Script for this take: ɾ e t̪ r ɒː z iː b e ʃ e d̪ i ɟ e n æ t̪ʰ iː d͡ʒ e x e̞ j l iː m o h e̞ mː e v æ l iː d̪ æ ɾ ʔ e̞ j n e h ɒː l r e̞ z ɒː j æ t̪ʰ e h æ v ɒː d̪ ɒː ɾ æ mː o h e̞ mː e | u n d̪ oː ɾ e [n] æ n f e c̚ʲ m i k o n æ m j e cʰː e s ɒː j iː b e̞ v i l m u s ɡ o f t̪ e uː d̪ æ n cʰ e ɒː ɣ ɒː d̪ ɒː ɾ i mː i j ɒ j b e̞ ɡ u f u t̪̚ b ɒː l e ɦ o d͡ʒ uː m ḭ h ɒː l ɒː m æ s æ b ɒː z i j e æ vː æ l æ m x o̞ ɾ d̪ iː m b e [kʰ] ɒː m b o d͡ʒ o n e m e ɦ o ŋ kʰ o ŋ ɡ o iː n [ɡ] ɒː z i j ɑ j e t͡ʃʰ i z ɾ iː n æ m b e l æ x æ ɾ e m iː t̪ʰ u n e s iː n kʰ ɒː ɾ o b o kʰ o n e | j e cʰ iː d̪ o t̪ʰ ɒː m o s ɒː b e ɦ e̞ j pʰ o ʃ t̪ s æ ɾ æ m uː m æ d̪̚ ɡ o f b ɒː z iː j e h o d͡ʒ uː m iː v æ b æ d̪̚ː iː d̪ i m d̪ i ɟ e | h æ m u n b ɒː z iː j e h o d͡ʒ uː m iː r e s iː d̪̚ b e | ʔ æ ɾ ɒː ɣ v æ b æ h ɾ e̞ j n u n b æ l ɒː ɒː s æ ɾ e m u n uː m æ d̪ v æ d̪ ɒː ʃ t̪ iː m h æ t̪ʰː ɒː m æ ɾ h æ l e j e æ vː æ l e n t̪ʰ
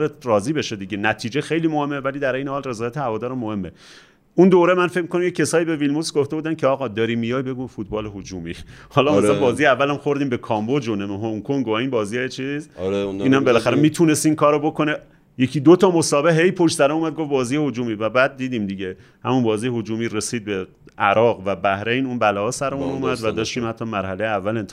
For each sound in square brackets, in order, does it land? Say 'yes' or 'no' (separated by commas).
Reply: no, yes, no